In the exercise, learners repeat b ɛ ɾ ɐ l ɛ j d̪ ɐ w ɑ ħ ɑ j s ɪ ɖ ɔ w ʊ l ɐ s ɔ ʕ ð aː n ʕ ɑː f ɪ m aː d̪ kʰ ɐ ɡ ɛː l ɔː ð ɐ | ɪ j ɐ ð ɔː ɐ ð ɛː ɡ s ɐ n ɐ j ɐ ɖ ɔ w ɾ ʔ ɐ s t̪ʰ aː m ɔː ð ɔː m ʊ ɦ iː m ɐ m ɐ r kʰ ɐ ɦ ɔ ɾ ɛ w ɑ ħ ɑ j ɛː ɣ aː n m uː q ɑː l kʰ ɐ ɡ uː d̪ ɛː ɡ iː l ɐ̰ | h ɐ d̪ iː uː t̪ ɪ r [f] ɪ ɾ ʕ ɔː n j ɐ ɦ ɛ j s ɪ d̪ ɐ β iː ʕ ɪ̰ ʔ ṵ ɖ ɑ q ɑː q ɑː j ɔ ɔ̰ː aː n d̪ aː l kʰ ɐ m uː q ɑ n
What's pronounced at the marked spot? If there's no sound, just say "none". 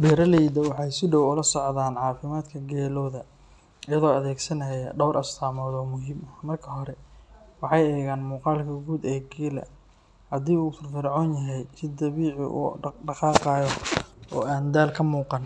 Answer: f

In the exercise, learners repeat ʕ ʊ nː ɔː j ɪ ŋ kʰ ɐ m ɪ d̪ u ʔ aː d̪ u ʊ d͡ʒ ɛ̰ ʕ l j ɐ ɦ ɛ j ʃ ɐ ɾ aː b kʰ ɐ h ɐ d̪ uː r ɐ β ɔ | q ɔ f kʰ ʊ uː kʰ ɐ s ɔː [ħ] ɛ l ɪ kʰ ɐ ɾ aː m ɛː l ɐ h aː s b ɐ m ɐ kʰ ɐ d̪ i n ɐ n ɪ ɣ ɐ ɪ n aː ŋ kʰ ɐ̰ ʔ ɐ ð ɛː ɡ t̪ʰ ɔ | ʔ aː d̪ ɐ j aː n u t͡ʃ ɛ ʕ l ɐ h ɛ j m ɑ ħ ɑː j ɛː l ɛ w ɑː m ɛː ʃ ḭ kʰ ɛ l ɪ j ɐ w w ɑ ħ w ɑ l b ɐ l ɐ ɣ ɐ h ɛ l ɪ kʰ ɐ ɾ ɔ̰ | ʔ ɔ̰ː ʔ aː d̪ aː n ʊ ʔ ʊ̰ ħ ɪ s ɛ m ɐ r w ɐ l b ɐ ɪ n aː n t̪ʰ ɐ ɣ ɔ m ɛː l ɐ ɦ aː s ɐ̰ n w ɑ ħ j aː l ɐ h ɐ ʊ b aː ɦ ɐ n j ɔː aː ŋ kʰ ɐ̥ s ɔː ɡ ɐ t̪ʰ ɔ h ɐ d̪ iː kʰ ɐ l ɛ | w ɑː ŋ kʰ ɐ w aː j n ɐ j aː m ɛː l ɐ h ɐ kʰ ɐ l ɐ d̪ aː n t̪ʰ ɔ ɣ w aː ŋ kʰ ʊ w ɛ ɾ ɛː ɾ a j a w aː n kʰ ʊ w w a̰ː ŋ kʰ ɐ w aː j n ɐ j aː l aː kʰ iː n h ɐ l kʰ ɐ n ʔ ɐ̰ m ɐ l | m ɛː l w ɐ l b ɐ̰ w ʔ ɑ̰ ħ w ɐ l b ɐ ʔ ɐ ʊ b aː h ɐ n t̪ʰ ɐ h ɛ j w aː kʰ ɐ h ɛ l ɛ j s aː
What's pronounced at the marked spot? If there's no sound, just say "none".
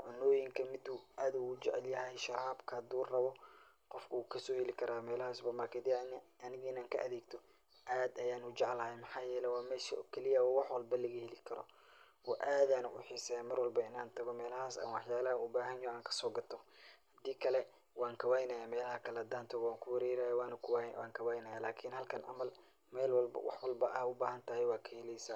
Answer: h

